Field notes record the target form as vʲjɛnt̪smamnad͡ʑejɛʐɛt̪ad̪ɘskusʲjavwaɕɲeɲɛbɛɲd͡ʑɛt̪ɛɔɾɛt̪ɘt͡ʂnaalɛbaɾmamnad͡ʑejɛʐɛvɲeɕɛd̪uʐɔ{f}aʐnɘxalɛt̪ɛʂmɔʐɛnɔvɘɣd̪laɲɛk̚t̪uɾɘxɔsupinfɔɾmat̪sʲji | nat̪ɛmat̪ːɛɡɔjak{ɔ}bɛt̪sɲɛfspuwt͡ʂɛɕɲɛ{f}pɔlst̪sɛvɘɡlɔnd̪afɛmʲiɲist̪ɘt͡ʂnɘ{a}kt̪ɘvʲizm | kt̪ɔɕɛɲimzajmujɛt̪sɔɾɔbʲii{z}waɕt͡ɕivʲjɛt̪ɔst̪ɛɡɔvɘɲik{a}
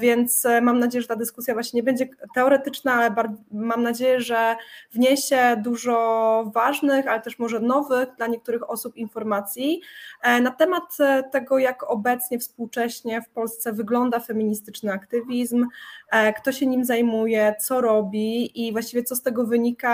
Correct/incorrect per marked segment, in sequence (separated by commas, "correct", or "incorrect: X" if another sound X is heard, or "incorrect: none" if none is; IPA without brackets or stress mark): incorrect: v, correct, correct, correct, incorrect: v, correct